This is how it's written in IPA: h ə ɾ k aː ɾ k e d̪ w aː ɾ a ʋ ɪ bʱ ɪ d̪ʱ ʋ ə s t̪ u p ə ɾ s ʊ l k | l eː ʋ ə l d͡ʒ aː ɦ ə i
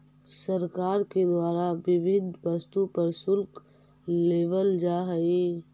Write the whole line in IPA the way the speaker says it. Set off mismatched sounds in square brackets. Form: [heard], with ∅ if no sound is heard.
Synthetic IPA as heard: [s] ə ɾ k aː ɾ k e d̪ w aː ɾ a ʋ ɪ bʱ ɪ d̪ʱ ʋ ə s t̪ u p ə ɾ s ʊ l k | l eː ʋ ə l d͡ʒ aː ɦ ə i